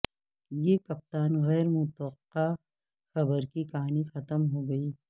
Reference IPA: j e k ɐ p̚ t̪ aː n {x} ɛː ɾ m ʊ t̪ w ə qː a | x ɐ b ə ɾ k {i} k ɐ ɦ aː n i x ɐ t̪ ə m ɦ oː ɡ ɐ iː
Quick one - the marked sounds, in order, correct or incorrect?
incorrect: ɣ, correct

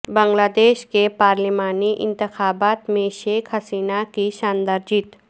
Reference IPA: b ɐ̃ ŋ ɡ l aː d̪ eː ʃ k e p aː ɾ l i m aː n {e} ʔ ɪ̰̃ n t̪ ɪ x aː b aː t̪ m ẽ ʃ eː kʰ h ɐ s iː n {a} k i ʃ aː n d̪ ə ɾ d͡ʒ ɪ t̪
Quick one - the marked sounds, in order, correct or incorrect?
incorrect: i, correct

